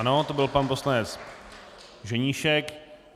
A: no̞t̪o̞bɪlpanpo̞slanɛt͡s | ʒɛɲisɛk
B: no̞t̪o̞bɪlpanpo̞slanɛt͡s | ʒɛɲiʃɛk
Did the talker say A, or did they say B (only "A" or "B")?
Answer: B